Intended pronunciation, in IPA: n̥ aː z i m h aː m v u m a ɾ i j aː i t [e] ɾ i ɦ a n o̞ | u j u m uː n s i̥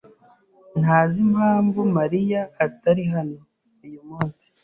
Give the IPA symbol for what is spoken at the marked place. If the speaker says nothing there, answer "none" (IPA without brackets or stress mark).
a